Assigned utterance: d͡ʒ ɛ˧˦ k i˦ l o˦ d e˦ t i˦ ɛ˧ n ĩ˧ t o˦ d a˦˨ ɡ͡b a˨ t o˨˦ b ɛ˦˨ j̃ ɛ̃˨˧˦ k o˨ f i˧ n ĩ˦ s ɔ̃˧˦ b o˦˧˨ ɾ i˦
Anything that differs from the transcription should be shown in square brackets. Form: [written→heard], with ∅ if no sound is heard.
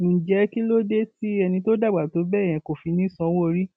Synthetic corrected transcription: d͡ʒ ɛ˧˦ k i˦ l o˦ d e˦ t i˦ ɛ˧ n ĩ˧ t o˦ d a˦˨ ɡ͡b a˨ t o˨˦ b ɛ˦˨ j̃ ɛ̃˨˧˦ k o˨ f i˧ n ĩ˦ s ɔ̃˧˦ [b→w] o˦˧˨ ɾ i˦